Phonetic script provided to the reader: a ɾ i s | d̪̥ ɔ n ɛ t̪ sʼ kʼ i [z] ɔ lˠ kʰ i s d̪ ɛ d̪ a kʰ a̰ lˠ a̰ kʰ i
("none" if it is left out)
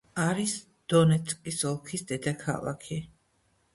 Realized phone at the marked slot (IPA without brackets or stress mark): s